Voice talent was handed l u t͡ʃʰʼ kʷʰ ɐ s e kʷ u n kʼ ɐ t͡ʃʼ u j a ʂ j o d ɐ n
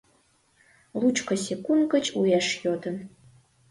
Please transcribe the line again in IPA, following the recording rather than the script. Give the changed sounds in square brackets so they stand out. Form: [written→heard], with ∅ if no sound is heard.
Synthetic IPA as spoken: l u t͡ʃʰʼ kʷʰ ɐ s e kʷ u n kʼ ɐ t͡ʃʼ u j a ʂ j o d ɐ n

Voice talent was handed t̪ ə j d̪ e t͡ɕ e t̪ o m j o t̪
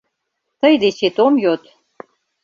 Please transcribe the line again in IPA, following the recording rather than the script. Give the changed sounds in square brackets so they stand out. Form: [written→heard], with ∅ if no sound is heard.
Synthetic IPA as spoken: t̪ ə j d̪ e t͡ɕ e t̪ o m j o t̪

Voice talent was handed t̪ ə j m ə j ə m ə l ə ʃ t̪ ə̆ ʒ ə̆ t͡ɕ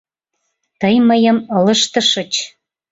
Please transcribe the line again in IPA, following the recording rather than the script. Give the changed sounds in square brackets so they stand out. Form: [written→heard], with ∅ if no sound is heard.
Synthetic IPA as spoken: t̪ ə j m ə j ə m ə l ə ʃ t̪ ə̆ [ʒ→ʃ] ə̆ t͡ɕ

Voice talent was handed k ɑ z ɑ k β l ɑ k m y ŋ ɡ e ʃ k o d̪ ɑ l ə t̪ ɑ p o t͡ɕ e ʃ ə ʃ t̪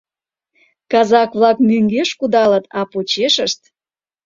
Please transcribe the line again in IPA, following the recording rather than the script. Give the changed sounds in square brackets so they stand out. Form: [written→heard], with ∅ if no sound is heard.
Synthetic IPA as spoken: k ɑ z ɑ k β l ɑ k m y ŋ ɡ e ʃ k [o→u] d̪ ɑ l ə t̪ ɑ p o t͡ɕ e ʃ ə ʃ t̪

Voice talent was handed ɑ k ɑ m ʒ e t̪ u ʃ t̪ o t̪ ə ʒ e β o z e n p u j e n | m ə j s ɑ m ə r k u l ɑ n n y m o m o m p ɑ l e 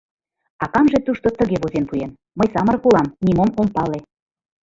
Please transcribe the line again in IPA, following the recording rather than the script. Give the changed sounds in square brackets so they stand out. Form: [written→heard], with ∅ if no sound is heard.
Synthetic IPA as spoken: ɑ k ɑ m ʒ e t̪ u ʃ t̪ o t̪ ə [ʒ→ɣ] e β o z e n p u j e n | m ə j s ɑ m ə r k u l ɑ [n→m] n [y→i] m o m o m p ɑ l e

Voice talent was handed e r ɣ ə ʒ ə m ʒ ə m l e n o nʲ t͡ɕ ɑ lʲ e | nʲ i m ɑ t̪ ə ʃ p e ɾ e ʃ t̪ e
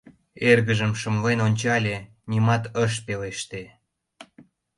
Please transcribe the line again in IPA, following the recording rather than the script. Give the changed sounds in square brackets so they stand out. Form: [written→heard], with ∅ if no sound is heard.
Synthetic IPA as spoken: e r ɣ ə ʒ ə m [ʒ→ʃ] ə m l e n o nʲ t͡ɕ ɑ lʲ e | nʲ i m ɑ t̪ ə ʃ p e [ɾ→l] e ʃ t̪ e

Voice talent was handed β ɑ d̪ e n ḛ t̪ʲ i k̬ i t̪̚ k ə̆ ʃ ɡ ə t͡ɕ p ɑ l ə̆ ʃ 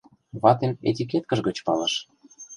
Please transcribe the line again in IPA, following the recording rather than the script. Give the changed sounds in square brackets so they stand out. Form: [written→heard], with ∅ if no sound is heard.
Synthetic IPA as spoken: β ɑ [d̪→t̪] e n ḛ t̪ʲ i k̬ [i→e] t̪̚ k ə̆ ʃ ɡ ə t͡ɕ p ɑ l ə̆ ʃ

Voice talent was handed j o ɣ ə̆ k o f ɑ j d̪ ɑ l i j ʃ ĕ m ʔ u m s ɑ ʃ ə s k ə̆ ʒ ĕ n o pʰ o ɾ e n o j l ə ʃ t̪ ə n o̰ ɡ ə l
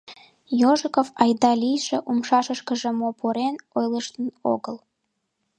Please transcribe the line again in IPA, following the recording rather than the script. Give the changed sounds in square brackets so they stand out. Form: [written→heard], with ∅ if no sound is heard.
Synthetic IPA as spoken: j o [ɣ→ʒ] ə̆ k o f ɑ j d̪ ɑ l i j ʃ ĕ [m→∅] ʔ u m [s→ʃ] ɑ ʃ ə [s→ʃ] k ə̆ ʒ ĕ [n→m] o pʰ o ɾ e n o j l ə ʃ t̪ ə n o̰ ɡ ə l

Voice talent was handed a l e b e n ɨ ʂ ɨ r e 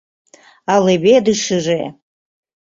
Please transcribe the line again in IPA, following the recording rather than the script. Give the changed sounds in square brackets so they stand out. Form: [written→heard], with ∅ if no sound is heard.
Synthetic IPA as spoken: a l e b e [n→d] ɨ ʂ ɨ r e

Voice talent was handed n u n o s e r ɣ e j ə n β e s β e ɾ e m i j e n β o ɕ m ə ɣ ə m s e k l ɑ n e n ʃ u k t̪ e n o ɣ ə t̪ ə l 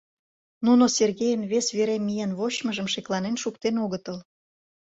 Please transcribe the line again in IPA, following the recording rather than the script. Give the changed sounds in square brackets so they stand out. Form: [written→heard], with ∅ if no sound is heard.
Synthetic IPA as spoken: n u n o s e r ɣ e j ə n β e s β e ɾ e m i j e n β o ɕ m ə [ɣ→ʒ] ə m [s→ʃ] e k l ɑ n e n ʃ u k t̪ e n o ɣ ə t̪ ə l

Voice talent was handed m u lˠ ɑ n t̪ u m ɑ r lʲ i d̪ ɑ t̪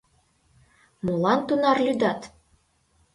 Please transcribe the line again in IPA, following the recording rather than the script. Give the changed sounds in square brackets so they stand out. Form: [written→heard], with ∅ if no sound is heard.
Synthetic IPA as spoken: m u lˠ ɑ n t̪ u [m→n] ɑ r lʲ [i→y] d̪ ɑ t̪

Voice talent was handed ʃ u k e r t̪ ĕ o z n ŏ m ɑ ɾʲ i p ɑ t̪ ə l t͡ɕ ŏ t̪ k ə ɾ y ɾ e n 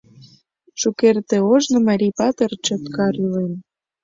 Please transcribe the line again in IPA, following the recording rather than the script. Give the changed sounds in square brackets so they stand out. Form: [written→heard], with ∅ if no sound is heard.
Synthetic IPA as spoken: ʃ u k e r t̪ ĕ o [z→ʒ] n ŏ m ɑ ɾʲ i p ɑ t̪ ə [l→r] t͡ɕ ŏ t̪ k [ə→ɑ] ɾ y [ɾ→l] e n

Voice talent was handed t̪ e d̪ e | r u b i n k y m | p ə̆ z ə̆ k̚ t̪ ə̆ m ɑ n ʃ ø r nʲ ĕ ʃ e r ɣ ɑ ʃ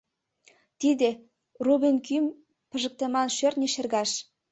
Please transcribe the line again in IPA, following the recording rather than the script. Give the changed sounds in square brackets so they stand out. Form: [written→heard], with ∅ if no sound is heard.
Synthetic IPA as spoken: t̪ [e→i] d̪ e | r u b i n k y m | p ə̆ [z→ʒ] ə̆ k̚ t̪ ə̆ m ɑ n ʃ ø r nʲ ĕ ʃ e r ɣ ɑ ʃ

